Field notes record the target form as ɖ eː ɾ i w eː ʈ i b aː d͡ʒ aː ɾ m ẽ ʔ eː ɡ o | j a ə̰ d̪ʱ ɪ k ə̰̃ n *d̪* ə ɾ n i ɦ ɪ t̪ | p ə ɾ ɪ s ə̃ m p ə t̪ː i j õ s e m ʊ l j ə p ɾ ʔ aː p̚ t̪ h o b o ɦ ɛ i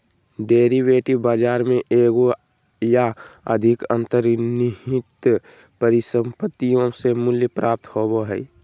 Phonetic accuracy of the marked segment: incorrect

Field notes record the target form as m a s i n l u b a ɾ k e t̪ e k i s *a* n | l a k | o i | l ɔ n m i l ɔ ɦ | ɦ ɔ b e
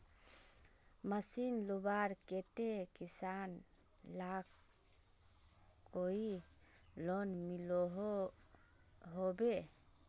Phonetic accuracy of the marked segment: correct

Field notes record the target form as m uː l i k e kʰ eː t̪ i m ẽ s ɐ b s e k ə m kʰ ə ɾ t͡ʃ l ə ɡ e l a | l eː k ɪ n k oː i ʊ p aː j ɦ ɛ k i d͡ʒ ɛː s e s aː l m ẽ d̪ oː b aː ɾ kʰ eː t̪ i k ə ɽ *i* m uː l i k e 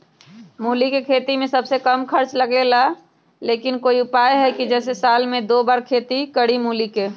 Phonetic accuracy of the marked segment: correct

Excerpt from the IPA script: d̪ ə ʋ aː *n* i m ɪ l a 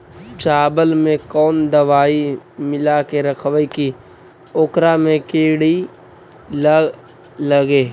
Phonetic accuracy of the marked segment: incorrect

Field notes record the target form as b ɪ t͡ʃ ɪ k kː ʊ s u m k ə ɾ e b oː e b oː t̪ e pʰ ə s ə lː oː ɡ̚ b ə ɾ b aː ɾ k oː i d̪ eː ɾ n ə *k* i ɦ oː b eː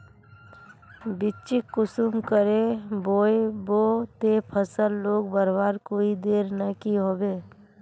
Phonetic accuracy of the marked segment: correct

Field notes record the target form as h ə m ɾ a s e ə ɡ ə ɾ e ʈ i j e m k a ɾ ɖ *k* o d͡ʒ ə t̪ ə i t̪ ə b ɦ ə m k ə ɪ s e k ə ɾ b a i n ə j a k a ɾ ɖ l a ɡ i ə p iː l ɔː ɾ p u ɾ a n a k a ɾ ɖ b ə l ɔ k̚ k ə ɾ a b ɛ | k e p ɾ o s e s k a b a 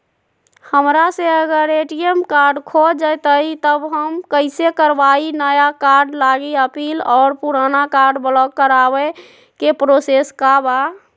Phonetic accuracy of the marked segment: incorrect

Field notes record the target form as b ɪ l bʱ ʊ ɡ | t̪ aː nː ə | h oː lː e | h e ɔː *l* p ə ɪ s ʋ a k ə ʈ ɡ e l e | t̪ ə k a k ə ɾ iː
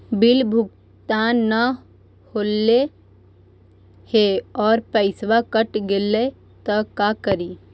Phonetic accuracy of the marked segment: incorrect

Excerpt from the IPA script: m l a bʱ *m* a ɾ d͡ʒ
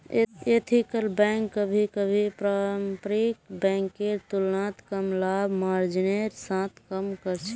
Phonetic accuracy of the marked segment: correct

